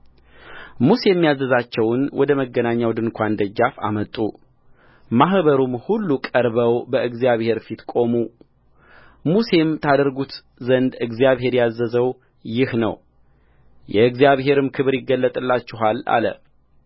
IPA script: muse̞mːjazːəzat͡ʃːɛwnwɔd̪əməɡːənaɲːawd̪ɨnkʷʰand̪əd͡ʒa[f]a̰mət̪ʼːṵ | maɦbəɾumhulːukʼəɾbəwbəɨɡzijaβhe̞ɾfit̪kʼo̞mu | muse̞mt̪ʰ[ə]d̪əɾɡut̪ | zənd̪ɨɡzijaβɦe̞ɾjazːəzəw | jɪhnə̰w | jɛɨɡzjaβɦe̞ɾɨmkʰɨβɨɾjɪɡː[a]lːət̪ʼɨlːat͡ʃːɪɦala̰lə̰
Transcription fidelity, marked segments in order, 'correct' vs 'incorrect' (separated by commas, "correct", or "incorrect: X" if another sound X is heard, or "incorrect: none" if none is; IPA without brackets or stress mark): correct, incorrect: a, incorrect: ə